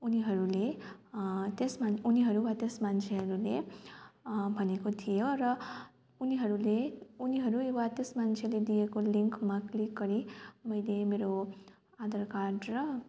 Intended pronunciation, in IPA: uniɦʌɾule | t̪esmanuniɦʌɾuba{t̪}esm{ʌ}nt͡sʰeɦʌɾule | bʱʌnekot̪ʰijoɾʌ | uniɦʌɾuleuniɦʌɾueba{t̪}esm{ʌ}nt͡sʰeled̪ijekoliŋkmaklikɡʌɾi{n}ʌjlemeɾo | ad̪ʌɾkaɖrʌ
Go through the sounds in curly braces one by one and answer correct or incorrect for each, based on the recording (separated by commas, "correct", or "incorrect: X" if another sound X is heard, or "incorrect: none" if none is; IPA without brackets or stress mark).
correct, incorrect: a, correct, incorrect: a, incorrect: m